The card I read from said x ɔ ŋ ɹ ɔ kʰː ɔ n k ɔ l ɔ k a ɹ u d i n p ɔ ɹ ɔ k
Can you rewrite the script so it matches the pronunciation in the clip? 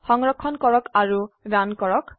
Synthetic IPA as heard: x ɔ ŋ ɹ ɔ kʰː ɔ n k ɔ ɹ ɔ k a ɹ u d a n k ɔ ɹ ɔ k